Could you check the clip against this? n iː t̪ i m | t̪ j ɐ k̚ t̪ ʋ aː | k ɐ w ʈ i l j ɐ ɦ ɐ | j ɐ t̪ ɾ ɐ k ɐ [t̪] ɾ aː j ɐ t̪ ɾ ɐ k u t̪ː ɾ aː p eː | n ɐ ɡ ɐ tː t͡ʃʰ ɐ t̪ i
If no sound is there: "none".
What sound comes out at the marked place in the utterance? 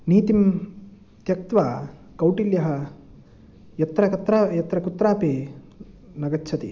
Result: t̪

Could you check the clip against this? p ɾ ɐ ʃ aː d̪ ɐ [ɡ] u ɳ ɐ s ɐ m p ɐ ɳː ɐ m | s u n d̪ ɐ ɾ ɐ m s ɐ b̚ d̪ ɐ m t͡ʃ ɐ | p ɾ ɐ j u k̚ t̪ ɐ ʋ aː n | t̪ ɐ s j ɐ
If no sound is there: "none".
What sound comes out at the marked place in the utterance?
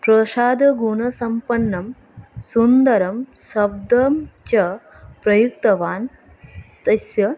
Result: ɡ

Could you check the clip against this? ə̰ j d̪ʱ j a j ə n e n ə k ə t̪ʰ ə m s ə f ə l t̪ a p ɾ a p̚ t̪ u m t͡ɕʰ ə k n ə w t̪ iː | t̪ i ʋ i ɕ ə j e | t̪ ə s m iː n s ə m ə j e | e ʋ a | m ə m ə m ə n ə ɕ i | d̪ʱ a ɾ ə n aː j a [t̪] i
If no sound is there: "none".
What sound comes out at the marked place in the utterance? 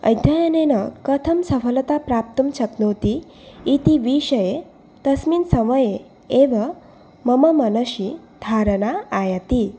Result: t̪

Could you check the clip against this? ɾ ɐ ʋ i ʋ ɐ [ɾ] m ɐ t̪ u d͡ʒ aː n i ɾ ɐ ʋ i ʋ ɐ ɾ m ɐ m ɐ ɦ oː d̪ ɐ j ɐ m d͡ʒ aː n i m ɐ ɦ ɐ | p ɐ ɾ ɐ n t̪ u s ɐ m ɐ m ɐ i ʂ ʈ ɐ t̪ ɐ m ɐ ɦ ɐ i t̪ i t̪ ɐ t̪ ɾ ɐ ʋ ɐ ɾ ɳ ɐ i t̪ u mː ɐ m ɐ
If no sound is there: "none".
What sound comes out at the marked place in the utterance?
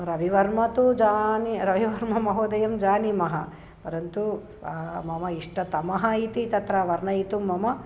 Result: ɾ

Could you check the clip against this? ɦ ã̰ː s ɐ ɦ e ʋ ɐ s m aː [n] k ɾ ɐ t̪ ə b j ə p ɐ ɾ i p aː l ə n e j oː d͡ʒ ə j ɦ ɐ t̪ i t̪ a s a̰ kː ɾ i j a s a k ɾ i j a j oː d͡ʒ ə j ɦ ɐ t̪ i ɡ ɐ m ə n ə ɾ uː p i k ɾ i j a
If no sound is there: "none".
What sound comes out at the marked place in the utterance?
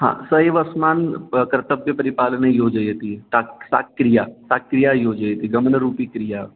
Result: n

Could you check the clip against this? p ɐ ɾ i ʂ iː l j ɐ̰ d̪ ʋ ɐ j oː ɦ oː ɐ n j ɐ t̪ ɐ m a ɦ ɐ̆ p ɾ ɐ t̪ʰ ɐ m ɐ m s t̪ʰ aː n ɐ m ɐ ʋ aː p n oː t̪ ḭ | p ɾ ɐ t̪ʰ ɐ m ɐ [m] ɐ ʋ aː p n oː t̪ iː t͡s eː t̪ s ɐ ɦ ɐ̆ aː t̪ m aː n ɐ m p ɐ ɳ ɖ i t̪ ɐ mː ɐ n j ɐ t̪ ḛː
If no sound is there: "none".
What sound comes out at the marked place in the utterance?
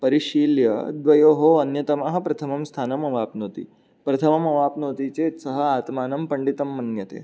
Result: m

